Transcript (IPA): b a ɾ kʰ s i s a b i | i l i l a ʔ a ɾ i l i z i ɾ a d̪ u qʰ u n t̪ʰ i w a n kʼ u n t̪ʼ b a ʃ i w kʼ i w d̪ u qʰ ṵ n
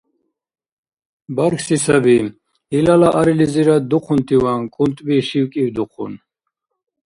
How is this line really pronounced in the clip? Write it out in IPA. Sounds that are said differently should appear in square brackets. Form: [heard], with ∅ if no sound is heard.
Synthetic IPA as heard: b a ɾ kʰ s i s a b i | i l [a] l a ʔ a ɾ i l i z i ɾ a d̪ u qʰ u n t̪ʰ i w a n kʼ u n t̪ʼ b [i] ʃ i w kʼ i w d̪ u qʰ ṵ n